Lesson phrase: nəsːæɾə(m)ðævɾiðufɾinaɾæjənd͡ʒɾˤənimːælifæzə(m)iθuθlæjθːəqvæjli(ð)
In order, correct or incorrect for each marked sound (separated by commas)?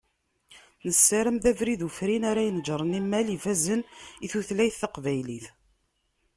correct, incorrect, incorrect